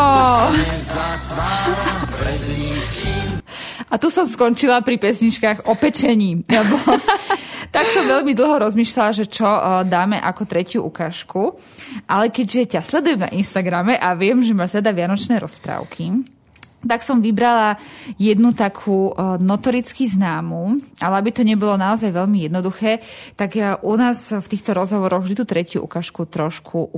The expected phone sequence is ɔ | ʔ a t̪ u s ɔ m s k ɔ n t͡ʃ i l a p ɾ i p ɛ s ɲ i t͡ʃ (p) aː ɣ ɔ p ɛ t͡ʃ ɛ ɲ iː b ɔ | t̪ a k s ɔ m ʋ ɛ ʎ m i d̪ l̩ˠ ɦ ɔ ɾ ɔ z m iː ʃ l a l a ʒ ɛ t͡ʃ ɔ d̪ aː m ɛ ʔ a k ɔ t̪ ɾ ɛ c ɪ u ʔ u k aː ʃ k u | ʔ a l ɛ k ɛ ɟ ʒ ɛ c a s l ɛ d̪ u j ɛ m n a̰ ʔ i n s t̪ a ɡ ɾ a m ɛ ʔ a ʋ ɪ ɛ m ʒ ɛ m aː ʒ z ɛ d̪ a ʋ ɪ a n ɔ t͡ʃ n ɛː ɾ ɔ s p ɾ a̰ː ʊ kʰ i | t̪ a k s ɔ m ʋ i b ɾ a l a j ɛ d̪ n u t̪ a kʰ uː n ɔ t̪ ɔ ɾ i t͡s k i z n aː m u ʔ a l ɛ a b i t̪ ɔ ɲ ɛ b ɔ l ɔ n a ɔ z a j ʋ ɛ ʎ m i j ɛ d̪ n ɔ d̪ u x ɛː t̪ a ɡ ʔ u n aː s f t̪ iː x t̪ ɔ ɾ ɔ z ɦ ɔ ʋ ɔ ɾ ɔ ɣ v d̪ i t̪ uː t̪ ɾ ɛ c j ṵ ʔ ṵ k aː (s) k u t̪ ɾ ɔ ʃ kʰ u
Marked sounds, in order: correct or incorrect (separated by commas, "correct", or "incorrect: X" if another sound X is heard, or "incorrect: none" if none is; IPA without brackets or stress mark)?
incorrect: k, incorrect: ʃ